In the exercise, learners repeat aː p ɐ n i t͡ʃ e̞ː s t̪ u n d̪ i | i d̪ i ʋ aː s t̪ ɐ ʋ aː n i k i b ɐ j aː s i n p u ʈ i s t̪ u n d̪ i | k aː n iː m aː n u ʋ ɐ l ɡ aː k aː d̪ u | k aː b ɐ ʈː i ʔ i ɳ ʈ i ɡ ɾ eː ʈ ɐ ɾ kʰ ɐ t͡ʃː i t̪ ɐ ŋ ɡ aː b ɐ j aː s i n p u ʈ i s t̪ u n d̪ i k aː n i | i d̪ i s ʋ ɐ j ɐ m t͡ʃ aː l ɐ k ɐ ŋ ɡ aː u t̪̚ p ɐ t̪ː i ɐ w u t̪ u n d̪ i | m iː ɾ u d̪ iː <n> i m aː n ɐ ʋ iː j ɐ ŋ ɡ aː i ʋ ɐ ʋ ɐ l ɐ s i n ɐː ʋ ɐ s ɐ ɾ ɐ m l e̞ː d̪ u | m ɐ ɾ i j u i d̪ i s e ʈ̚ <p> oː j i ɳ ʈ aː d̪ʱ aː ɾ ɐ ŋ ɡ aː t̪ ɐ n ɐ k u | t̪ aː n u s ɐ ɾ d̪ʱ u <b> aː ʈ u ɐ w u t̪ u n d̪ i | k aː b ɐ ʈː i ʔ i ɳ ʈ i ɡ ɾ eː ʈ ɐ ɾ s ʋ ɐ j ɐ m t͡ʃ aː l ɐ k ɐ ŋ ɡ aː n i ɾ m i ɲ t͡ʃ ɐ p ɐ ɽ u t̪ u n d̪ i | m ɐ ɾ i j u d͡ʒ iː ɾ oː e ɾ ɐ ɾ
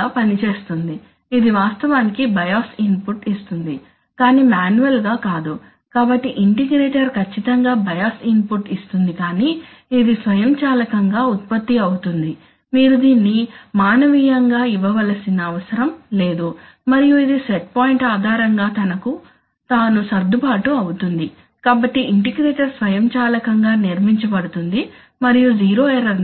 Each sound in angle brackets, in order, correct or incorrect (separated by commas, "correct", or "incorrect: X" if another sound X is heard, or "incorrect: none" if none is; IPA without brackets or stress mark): incorrect: nː, correct, incorrect: p